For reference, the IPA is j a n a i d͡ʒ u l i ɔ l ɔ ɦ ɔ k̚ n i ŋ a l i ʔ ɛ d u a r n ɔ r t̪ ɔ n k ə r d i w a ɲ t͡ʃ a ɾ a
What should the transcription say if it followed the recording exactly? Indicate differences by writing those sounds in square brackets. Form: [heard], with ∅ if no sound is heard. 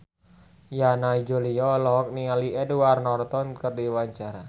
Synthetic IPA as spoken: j a n a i d͡ʒ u l i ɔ l ɔ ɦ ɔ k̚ n i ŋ a l i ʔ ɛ d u a r n ɔ r t̪ ɔ n k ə r d i w a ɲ t͡ʃ a ɾ a